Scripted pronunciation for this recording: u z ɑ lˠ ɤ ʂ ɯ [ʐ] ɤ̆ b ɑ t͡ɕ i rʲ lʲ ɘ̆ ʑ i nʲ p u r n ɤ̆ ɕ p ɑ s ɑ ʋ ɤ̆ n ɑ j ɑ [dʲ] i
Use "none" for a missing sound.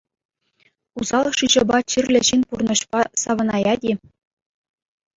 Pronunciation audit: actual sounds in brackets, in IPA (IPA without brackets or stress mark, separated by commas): ʑ, dʲ